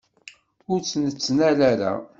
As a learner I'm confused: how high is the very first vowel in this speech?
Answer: high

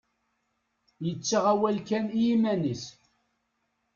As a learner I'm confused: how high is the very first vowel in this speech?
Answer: mid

